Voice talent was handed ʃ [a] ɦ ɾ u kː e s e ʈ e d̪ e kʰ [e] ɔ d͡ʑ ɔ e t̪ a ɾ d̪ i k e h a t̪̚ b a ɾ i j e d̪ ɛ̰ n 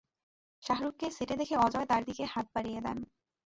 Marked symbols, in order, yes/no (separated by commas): yes, yes